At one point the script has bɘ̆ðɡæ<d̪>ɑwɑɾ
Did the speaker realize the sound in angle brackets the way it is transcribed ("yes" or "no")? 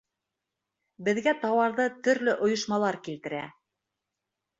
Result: no